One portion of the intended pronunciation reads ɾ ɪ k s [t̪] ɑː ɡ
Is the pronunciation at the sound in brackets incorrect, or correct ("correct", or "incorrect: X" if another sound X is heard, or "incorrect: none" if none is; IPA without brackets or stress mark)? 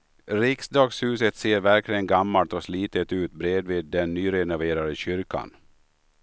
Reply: incorrect: d̪